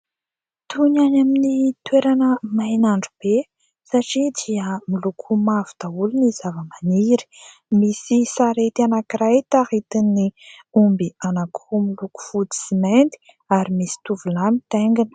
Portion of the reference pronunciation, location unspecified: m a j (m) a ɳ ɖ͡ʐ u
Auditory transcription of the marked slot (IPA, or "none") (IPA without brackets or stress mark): n